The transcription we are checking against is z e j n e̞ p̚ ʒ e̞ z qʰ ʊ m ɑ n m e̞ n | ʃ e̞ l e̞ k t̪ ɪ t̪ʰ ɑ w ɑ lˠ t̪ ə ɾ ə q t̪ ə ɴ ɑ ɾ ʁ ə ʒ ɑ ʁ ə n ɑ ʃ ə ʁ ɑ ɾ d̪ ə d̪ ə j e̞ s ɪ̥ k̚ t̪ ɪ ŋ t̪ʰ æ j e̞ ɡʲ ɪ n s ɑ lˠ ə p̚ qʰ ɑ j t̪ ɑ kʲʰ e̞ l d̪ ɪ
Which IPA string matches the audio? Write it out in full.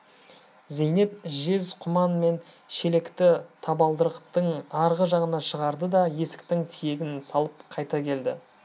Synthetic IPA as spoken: z e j n e̞ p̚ ʒ e̞ z qʰ ʊ m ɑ n m e̞ n | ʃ e̞ l e̞ k t̪ ɪ t̪ʰ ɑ b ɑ lˠ d̪ ə ɾ ə q t̪ ə ɴ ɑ ɾ ʁ ə ʒ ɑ ʁ ə n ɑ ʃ ə ʁ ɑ ɾ d̪ ə d̪ ɑ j e̞ s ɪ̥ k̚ t̪ ɪ ŋ t̪ʰ i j e̞ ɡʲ ɪ n s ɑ lˠ ə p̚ qʰ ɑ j t̪ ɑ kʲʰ e̞ l d̪ ɪ